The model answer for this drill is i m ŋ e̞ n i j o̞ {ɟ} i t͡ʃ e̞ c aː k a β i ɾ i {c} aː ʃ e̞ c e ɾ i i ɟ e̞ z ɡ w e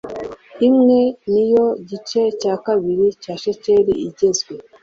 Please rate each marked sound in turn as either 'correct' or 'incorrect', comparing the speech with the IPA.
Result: correct, correct

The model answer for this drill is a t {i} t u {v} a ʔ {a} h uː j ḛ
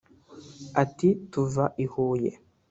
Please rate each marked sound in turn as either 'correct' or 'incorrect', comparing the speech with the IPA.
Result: correct, correct, incorrect

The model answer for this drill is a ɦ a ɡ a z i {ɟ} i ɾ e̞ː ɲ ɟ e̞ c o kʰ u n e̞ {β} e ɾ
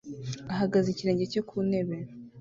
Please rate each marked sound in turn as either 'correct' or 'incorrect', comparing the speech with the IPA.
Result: incorrect, correct

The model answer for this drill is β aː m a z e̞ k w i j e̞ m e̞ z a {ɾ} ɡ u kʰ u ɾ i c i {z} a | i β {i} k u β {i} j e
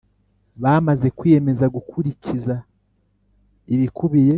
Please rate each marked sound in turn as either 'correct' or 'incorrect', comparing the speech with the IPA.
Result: incorrect, correct, correct, correct

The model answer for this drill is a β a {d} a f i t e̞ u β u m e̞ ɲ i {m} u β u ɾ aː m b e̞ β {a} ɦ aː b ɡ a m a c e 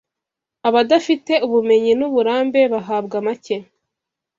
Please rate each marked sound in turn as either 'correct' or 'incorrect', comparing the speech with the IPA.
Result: correct, incorrect, correct

